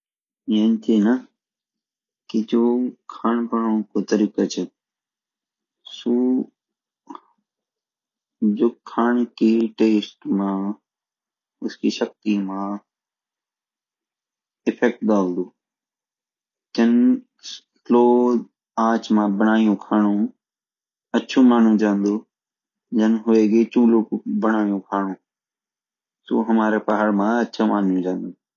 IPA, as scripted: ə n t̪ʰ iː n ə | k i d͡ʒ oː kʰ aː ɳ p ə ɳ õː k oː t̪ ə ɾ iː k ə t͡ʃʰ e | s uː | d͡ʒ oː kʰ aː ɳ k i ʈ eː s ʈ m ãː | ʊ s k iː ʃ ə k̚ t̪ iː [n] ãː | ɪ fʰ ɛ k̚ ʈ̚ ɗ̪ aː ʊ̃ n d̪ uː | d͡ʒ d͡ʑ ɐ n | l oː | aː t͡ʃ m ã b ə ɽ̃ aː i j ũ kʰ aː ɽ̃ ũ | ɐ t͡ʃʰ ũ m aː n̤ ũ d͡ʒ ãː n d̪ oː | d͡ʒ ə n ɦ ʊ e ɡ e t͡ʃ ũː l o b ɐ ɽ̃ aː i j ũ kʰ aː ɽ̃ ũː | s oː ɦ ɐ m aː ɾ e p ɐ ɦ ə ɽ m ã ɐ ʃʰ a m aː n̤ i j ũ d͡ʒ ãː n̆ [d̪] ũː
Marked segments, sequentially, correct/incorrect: incorrect: m, correct

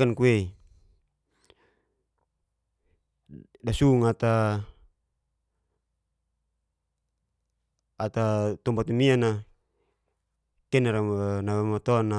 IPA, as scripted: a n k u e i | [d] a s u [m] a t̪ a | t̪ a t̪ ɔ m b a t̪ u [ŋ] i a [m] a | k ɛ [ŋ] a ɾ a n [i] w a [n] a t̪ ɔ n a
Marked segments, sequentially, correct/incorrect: correct, incorrect: ŋ, incorrect: m, incorrect: n, incorrect: n, incorrect: a, incorrect: m

